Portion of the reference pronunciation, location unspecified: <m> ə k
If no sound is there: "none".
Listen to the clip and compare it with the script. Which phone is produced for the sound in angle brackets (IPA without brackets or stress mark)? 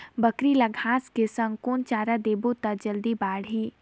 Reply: b